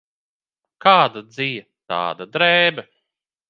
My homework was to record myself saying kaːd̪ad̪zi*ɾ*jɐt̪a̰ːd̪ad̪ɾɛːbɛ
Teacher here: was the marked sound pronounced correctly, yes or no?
no